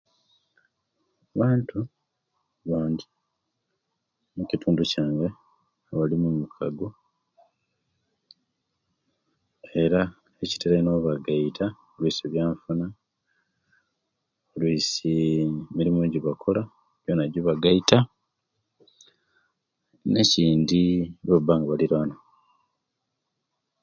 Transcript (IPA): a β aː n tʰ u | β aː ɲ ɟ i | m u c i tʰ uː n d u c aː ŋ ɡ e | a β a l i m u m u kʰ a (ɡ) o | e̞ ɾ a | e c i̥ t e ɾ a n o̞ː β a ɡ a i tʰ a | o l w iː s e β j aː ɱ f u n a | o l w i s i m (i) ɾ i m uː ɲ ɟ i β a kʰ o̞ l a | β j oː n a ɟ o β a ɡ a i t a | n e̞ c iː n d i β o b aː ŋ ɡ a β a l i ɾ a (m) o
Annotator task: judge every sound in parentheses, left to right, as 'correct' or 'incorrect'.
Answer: correct, correct, incorrect

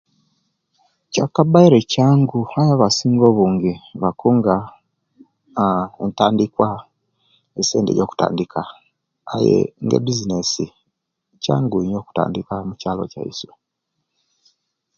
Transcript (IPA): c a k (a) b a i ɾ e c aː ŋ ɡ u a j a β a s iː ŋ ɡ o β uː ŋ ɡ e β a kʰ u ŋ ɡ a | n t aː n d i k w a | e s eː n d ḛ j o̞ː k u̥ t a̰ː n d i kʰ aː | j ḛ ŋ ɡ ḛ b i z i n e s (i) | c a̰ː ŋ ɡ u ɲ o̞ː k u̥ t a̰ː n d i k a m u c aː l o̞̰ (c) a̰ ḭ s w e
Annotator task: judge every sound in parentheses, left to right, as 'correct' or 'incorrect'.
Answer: correct, correct, correct

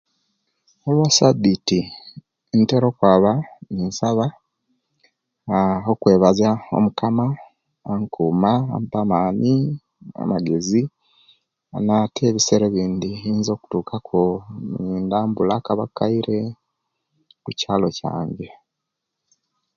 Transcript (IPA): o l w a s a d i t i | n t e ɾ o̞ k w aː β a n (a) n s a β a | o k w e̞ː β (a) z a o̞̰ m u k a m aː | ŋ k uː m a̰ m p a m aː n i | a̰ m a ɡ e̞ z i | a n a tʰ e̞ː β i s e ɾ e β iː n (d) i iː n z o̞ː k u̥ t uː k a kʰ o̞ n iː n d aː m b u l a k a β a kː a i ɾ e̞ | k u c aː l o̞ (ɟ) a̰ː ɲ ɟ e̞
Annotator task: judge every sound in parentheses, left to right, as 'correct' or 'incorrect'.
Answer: incorrect, correct, correct, incorrect

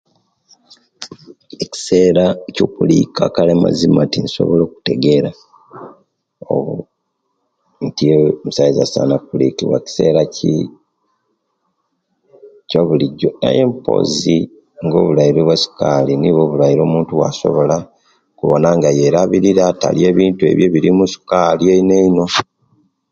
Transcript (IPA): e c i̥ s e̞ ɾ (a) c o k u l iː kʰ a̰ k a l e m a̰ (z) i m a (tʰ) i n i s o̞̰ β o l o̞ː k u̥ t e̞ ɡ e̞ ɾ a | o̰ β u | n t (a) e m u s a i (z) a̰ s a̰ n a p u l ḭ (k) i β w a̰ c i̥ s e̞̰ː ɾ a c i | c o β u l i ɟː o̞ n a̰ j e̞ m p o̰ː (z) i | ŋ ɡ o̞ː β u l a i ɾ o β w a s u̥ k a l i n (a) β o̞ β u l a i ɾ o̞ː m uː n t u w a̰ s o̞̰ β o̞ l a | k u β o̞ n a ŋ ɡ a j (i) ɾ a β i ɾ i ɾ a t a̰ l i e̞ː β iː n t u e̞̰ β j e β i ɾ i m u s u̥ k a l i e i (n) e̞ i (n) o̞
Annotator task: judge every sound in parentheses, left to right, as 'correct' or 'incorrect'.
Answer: correct, correct, incorrect, incorrect, correct, correct, correct, incorrect, incorrect, correct, correct

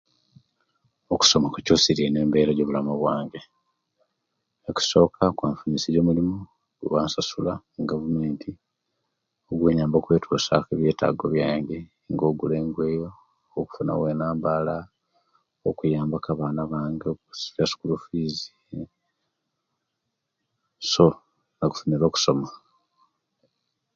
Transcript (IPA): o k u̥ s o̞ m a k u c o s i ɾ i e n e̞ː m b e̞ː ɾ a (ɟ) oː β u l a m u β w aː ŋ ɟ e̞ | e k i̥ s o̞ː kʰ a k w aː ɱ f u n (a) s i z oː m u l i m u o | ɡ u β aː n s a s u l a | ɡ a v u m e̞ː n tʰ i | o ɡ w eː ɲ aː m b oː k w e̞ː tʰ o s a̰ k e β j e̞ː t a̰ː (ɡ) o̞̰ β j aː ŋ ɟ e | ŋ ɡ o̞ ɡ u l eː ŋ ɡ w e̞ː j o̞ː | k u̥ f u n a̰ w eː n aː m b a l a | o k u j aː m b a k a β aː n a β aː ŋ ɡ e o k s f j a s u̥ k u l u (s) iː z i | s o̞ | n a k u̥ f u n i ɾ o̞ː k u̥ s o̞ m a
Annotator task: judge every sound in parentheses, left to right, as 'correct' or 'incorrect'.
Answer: correct, incorrect, correct, incorrect

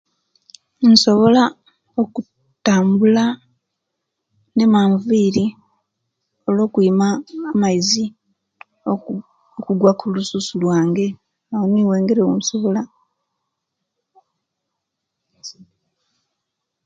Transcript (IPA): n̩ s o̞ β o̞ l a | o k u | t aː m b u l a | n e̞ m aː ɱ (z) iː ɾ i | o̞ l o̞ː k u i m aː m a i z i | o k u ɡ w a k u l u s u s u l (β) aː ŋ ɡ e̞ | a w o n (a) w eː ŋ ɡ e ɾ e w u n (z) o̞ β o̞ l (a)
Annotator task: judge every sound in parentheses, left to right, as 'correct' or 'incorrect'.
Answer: incorrect, incorrect, incorrect, incorrect, correct

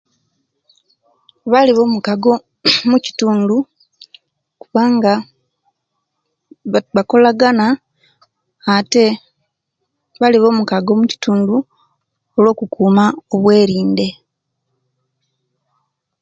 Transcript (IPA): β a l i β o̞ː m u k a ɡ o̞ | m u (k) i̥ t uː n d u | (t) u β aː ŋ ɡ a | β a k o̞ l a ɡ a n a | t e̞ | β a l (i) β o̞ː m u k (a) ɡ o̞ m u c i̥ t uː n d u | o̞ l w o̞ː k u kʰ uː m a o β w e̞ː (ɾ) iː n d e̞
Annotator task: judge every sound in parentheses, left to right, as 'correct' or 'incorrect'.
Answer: incorrect, incorrect, correct, correct, correct

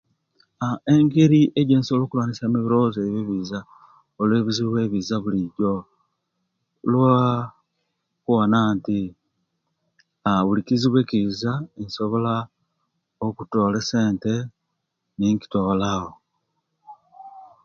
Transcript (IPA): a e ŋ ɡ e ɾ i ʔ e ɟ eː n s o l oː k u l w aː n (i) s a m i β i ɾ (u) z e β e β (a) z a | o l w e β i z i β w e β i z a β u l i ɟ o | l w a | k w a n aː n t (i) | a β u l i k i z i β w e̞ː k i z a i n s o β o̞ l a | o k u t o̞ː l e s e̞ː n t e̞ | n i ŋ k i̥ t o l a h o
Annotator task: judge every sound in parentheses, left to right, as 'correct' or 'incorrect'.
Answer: correct, incorrect, incorrect, correct

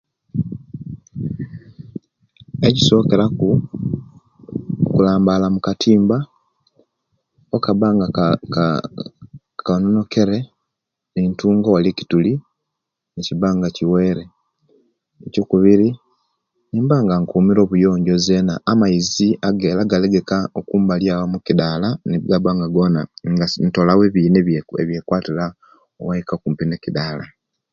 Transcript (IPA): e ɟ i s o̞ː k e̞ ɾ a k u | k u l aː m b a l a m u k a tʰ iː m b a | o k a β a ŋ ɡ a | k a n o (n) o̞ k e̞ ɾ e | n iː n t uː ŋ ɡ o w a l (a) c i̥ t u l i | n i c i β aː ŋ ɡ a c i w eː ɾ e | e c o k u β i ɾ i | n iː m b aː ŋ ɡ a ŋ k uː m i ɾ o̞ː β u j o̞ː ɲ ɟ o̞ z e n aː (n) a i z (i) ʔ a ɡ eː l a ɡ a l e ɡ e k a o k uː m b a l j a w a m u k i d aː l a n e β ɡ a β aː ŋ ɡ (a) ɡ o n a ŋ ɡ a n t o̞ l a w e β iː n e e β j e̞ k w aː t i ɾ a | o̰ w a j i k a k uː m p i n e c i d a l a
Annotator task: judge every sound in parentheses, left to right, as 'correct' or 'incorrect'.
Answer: correct, incorrect, incorrect, correct, correct

